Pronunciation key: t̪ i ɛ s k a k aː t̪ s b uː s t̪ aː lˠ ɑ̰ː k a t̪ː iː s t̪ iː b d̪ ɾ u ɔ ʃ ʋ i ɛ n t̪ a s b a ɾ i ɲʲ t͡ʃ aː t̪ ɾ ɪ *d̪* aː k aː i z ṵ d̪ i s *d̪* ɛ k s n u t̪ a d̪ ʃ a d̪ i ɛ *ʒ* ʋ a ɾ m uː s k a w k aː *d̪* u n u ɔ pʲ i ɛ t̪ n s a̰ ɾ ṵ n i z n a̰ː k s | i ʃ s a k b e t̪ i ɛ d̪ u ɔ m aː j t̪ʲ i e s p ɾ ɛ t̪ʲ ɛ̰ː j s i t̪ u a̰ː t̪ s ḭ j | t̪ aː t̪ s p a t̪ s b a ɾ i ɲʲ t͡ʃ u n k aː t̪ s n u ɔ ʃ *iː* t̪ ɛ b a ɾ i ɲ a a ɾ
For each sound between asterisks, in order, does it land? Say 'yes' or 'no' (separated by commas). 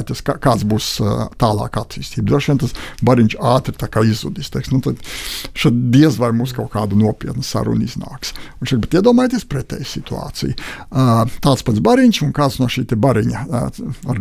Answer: no, no, no, yes, yes